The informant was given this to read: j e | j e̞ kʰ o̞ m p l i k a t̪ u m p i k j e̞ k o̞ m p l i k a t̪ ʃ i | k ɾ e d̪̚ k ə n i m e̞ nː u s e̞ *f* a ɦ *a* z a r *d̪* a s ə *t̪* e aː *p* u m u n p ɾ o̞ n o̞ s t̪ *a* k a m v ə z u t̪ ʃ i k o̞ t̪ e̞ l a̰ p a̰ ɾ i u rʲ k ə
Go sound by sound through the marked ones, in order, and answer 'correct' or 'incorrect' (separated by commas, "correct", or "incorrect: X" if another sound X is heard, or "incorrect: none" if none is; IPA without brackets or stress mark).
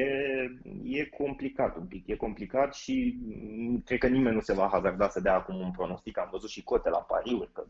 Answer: incorrect: v, correct, correct, incorrect: d̪, incorrect: k, incorrect: i